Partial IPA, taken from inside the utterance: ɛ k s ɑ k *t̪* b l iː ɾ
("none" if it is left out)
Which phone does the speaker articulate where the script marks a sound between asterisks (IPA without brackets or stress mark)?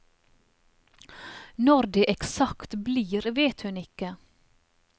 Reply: t̪